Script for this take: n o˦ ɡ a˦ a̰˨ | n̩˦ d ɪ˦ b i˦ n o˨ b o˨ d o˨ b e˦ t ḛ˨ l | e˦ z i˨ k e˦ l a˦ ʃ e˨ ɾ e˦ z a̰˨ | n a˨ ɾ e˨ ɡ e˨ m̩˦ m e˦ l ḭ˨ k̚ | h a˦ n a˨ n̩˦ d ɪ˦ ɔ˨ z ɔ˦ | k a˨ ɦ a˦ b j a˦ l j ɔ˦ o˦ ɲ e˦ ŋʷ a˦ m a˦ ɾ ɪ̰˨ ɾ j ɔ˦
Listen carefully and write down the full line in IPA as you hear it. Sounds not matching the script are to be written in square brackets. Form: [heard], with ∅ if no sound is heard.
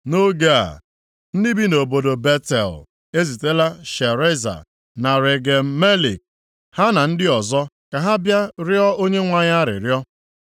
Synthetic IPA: n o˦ ɡ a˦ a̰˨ | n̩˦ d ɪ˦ b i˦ n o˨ b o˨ d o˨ b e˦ t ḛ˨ l | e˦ z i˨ [t] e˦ l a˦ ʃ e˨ ɾ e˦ z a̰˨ | n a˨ ɾ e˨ ɡ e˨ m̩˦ m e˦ l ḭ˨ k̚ | h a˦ n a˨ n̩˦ d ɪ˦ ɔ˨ z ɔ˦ | k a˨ ɦ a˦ b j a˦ [ɾ] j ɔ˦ o˦ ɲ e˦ ŋʷ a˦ [ɲ] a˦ ɾ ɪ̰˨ ɾ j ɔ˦